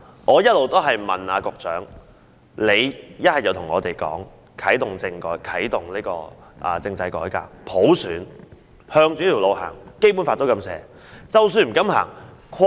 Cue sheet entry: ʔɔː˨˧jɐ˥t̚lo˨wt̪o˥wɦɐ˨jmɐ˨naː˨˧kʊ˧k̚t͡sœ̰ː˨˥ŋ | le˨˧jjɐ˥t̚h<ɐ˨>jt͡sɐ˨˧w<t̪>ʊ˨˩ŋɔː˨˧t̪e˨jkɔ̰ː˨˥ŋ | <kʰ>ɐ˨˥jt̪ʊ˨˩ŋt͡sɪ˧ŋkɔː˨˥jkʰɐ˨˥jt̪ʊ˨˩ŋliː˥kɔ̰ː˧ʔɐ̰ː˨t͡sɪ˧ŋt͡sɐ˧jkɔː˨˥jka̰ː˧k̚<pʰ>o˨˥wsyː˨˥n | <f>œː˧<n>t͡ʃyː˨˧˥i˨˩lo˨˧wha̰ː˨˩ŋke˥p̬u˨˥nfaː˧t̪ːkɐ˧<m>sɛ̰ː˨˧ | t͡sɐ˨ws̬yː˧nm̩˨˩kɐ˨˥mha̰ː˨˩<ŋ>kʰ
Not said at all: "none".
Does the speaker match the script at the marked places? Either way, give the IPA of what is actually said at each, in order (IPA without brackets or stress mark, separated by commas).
ɐ˨, t̪ʰ, kʰ, pʰ, h, ŋ, m, ŋ